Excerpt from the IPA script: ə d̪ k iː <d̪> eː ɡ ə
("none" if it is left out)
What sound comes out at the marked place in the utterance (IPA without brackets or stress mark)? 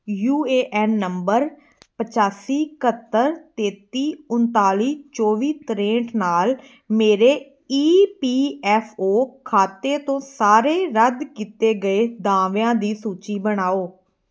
t̪